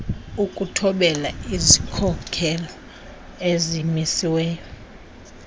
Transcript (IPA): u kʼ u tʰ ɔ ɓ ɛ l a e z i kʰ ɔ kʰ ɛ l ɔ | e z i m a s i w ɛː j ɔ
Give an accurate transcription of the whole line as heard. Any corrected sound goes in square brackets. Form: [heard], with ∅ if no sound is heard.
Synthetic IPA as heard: u kʼ u tʰ ɔ ɓ ɛ l a [i] z i kʰ ɔ kʰ ɛ l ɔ | e z i m [i] s i w ɛː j ɔ